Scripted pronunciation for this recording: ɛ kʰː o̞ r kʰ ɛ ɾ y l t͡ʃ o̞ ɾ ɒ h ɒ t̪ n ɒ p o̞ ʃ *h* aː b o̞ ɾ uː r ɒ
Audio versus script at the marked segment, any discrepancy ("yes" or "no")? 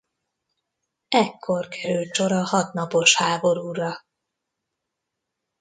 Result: no